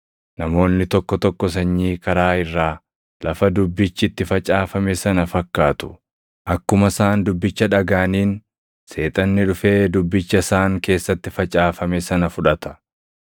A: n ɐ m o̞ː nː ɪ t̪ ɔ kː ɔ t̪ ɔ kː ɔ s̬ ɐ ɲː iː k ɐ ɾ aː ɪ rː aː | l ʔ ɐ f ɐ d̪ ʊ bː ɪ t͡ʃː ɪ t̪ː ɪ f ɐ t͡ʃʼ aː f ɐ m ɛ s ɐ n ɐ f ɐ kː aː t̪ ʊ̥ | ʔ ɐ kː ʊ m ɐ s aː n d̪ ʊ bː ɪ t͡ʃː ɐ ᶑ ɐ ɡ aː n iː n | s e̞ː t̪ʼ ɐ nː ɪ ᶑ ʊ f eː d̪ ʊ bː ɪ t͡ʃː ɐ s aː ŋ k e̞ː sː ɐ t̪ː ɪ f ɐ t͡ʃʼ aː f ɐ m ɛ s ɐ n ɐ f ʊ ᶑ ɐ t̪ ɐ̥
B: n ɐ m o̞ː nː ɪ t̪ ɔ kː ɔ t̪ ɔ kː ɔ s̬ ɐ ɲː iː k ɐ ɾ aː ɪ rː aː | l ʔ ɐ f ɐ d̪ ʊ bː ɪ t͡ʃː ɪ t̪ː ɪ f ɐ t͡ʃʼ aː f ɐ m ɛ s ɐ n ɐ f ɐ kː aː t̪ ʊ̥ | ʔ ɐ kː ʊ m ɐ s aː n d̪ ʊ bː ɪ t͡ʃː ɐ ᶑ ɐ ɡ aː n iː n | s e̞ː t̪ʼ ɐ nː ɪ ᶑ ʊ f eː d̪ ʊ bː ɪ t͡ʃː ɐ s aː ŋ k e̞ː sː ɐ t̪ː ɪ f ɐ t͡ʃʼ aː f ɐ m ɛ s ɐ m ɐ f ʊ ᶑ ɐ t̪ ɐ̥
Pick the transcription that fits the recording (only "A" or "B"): A